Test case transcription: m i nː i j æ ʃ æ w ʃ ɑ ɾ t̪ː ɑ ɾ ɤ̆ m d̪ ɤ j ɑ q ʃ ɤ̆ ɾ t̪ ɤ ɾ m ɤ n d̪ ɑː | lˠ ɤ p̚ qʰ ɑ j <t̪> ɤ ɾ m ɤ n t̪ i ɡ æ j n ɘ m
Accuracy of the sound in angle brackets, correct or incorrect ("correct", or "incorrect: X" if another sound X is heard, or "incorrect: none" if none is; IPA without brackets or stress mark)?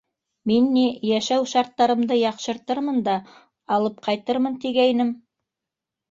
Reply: correct